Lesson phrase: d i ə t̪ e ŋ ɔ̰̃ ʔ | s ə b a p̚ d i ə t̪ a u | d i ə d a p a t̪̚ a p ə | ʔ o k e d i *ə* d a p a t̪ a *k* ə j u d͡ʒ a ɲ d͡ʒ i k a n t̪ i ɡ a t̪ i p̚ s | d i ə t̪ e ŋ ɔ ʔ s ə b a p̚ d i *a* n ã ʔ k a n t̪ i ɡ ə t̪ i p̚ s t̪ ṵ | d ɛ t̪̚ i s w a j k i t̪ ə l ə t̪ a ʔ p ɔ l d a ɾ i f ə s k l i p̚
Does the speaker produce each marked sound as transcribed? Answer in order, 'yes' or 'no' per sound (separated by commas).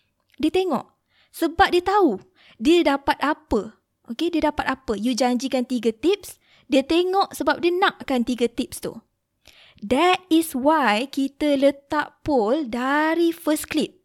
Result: yes, no, no